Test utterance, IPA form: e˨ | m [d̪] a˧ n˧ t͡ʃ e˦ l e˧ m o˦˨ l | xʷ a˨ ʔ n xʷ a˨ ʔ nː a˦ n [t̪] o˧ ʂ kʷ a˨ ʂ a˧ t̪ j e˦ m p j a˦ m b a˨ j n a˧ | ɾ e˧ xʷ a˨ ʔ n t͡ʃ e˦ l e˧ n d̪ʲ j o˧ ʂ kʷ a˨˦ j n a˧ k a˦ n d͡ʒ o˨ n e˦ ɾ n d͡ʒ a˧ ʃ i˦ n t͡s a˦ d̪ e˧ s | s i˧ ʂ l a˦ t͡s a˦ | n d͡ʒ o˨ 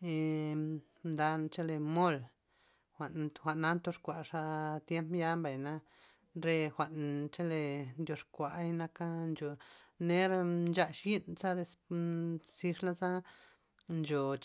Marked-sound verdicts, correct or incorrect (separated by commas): correct, correct